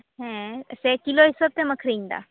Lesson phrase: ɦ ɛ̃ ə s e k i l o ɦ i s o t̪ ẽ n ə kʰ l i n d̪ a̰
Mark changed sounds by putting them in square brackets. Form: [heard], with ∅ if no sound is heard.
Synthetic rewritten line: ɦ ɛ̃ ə s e k i l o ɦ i s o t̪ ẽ [m] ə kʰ [ɾ] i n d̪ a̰